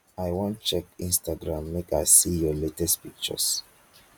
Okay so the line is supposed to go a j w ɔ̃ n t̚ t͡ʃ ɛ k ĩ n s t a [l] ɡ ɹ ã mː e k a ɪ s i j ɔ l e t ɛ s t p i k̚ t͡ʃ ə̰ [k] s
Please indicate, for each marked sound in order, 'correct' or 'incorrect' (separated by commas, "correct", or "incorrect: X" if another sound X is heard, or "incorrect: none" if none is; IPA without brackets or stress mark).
incorrect: none, incorrect: none